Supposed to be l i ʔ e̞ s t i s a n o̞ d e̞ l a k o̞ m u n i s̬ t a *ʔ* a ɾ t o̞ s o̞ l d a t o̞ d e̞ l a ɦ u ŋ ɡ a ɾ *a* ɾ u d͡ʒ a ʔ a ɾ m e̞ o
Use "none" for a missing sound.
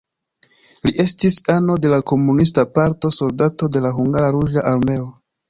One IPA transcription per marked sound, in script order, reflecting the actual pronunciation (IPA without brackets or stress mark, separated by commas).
p, a